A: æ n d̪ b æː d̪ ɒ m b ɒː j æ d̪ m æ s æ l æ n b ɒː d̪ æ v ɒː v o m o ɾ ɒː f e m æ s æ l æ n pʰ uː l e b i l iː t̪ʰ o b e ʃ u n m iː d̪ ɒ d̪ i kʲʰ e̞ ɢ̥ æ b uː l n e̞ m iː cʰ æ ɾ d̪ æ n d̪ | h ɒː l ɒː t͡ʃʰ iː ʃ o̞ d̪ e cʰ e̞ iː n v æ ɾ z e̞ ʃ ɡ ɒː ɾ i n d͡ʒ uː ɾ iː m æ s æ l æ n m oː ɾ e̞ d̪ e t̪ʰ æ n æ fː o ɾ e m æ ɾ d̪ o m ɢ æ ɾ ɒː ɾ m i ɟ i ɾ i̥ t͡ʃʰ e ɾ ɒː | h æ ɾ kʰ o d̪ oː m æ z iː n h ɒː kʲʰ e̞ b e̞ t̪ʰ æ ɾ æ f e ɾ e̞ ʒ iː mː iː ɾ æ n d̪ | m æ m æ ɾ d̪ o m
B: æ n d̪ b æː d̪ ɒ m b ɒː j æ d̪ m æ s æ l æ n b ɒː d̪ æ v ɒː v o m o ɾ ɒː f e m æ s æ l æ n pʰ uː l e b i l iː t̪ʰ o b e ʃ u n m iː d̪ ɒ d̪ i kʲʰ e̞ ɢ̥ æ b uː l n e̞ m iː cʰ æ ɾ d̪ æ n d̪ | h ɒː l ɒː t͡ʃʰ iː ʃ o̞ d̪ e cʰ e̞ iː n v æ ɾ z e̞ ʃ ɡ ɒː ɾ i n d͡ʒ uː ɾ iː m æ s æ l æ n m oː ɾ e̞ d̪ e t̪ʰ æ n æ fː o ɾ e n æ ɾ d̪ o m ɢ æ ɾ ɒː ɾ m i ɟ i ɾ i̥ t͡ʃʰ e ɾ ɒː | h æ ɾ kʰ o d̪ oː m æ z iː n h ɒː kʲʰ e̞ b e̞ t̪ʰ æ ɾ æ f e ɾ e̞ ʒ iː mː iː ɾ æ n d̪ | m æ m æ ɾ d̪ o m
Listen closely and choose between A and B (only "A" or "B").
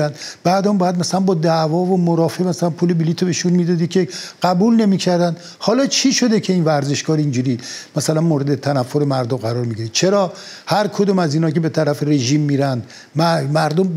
A